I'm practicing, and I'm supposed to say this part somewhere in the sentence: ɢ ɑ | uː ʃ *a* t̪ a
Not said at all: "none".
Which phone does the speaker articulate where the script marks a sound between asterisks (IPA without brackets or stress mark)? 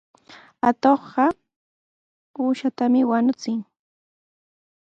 a